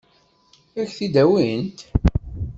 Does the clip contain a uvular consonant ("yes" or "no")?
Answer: no